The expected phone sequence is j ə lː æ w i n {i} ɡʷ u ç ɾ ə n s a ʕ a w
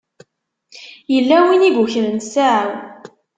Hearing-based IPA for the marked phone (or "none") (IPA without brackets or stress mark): i